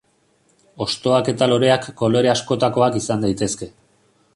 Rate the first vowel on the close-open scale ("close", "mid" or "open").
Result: mid